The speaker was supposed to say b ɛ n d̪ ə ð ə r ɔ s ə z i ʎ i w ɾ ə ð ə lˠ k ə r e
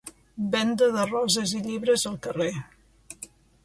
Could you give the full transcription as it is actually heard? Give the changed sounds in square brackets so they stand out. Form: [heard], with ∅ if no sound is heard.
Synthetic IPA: b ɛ n d̪ ə ð ə r ɔ [z] ə z i ʎ i [β] ɾ ə [z] ə lˠ k ə r e